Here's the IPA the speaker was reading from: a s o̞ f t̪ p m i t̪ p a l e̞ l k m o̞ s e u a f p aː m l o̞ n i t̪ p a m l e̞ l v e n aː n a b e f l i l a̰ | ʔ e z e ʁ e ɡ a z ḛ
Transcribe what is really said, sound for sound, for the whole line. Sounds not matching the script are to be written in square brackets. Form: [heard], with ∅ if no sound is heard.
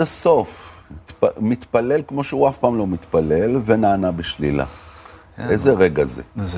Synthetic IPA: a s o̞ f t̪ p m i t̪ p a l e̞ l k m o̞ [ʃ] e u a f p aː m l o̞ [m] i t̪ p a [∅] l e̞ l v e n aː n a b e [ʃ] l i l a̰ | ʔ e z e ʁ e ɡ a z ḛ